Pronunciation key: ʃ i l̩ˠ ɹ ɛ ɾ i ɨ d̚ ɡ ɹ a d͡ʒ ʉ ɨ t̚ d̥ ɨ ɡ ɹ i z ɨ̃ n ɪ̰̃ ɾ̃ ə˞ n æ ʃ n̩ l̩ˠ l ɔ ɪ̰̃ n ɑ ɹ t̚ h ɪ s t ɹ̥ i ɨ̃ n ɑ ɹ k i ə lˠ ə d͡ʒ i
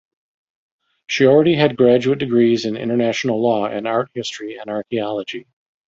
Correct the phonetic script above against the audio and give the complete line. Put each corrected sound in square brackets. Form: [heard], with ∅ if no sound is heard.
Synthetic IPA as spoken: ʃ i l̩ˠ ɹ ɛ ɾ i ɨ d̚ ɡ ɹ [æ] d͡ʒ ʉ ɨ t̚ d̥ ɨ ɡ ɹ i z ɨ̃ n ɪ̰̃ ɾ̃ ə˞ n æ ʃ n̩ l̩ˠ l ɔ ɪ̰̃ n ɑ ɹ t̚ h ɪ s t ɹ̥ i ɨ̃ n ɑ ɹ k i [ɑ] lˠ ə d͡ʒ i